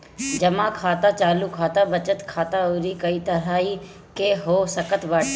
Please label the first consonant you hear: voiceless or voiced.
voiced